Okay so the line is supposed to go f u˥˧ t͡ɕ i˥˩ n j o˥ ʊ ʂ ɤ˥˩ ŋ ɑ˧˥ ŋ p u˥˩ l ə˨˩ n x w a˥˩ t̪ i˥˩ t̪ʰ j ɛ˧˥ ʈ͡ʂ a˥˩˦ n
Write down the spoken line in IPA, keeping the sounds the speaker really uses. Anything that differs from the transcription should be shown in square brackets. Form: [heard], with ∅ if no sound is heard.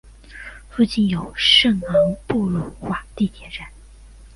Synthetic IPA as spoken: f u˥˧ t͡ɕ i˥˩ n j [o˨˩] ʊ ʂ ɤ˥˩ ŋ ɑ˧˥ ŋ p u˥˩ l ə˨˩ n x w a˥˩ t̪ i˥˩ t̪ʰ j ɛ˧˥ ʈ͡ʂ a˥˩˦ n